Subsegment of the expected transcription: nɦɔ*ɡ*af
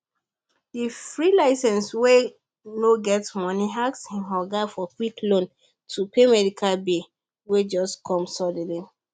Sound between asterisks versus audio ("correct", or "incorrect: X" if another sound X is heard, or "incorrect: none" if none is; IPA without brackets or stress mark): correct